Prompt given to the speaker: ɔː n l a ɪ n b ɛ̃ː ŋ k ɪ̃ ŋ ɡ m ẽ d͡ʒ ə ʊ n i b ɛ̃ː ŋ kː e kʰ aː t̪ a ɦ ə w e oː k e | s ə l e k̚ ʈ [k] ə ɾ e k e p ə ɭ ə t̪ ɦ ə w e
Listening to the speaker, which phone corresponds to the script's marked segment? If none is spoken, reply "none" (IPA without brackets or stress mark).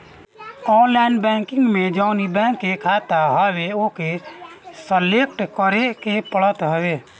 k